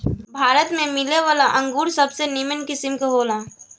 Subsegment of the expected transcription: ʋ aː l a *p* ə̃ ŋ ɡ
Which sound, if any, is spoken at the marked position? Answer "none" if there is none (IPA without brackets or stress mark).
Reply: ʔ